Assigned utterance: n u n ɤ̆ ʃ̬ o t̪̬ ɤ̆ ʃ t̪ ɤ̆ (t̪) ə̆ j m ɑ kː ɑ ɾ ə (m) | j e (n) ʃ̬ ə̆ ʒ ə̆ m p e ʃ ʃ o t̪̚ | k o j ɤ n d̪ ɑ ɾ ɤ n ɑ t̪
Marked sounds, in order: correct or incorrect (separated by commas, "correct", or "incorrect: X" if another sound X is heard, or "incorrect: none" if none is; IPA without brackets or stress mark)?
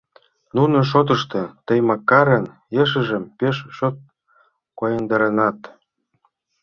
correct, incorrect: n, incorrect: none